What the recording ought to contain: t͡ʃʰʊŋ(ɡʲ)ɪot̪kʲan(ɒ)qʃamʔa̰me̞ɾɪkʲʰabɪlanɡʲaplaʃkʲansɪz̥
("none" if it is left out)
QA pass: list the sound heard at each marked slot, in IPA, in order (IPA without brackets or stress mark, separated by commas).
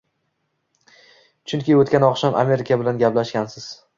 kʲ, ɒ